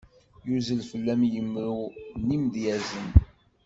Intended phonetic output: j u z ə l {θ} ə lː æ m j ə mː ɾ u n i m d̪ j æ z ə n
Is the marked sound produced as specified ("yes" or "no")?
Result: no